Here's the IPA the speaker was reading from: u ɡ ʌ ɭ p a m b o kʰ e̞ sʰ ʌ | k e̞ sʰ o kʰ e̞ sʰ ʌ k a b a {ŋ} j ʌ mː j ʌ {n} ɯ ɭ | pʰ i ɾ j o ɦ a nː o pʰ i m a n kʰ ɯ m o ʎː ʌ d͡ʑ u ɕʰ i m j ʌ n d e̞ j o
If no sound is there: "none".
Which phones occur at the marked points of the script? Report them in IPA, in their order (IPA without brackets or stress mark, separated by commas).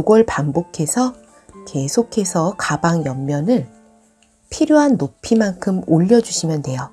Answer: ŋ, n